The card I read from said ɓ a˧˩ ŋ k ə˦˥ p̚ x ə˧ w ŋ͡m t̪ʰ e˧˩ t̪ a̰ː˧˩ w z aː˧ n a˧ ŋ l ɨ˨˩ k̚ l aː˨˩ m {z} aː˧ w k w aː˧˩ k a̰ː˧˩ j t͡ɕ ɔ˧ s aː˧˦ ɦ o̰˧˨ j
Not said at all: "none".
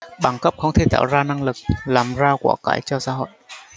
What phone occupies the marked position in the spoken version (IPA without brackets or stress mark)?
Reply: z